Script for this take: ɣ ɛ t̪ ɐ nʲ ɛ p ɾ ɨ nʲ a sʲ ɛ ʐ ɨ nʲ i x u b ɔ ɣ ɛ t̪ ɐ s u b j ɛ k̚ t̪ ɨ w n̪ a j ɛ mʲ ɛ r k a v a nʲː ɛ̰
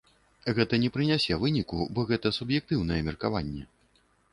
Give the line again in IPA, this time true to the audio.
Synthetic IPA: ɣ ɛ t̪ ɐ nʲ ɛ p ɾ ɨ nʲ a sʲ ɛ v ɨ nʲ i k u b ɔ ɣ ɛ t̪ ɐ s u b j ɛ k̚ t̪ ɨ w n̪ ɐ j ɛ mʲ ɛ r k a v a nʲː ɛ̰